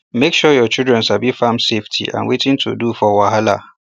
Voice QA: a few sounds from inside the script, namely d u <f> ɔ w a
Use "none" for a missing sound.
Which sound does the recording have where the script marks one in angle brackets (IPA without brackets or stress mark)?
f